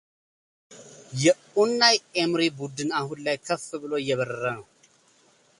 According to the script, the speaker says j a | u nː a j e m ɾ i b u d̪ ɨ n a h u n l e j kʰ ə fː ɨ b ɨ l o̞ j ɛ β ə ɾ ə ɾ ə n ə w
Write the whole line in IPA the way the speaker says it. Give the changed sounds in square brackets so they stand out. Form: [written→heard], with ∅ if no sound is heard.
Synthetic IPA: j [a→ɛ] | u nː a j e m ɾ i b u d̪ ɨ n a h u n l [e→a] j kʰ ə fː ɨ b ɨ l o̞ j ɛ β ə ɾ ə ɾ ə n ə w